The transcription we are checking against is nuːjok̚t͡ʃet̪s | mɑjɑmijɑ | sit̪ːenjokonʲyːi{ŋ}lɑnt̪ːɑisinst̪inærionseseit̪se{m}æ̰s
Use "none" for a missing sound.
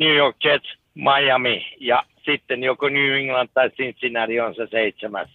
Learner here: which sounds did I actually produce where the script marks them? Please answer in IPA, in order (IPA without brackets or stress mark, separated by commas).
ŋ, m